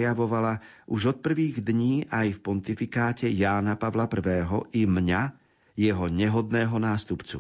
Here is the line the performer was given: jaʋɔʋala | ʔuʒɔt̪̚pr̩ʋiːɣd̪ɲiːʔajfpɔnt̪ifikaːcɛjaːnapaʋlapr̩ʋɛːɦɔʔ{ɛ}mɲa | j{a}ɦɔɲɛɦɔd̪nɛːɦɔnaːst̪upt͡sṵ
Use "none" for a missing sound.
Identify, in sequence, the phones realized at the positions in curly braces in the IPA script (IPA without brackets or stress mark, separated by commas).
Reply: i, ɛ